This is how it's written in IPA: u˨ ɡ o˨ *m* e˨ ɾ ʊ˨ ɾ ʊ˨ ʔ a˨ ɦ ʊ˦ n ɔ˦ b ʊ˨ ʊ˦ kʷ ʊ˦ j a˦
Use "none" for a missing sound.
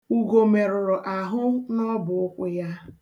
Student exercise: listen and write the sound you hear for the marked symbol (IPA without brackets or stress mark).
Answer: m